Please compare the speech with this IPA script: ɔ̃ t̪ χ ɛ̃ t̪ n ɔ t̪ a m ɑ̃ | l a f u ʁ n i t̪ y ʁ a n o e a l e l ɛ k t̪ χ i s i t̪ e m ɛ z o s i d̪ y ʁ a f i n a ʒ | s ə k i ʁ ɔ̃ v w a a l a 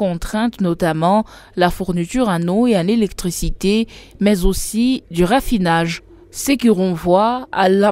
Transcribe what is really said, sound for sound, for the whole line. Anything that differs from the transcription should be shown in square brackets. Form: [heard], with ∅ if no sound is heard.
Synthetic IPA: ɔ̃ t̪ χ ɛ̃ t̪ n ɔ t̪ a m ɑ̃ | l a f u ʁ n i t̪ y ʁ a n o e a l e l ɛ k t̪ χ i s i t̪ e m ɛ z o s i d̪ y ʁ a f i n a ʒ | s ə k i ʁ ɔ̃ v w a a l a